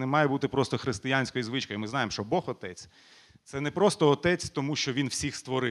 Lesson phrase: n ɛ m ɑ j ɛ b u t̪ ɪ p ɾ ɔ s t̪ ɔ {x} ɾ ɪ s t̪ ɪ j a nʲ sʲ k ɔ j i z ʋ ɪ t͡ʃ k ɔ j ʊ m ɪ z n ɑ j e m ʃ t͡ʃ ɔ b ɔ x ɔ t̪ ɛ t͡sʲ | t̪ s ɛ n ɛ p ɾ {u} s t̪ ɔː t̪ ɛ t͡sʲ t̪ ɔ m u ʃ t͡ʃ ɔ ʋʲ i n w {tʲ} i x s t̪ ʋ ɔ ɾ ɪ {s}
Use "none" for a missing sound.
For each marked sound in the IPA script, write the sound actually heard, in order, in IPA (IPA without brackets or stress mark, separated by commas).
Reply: x, ɔ, sʲ, none